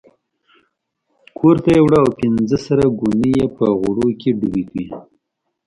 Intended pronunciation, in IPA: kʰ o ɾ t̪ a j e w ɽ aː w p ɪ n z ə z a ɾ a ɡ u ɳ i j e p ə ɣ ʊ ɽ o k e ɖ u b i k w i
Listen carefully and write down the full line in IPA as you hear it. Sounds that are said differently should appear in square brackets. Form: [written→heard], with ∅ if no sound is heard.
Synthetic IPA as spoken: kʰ o ɾ t̪ a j e w ɽ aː w p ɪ n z ə [z→s] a ɾ a ɡ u [ɳ→n] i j e p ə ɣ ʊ ɽ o k e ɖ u b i k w i